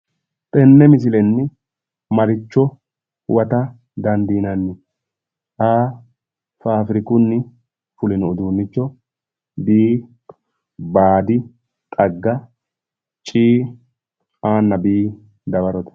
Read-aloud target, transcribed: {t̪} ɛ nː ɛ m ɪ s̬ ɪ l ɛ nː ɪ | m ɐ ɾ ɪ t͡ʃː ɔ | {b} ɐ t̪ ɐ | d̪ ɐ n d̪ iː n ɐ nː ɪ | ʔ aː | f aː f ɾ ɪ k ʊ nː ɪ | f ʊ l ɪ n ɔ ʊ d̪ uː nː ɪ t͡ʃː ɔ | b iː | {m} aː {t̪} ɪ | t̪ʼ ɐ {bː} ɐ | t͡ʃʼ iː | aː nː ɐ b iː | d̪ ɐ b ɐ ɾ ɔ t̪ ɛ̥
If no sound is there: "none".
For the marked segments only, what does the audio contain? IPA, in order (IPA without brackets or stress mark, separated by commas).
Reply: t̪ʼ, w, b, d̪, ɡː